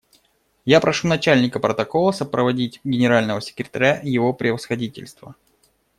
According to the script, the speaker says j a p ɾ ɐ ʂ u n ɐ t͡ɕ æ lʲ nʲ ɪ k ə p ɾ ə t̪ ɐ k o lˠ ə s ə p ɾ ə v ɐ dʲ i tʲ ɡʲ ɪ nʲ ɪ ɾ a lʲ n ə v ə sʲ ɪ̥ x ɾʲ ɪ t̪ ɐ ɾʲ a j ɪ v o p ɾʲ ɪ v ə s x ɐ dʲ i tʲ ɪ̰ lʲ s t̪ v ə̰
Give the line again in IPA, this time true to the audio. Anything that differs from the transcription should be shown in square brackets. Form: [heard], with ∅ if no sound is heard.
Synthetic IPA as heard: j a p ɾ ɐ ʂ u n ɐ t͡ɕ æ lʲ nʲ ɪ k ə p ɾ ə t̪ ɐ k o lˠ ə s ə p ɾ ə v ɐ dʲ i tʲ ɡʲ ɪ nʲ ɪ ɾ a lʲ n ə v ə sʲ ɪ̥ [k] ɾʲ ɪ t̪ ɐ ɾʲ a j ɪ v o p ɾʲ ɪ v ə s x ɐ dʲ i tʲ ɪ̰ lʲ s t̪ v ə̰